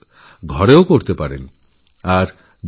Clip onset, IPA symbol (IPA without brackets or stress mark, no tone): ɡʱ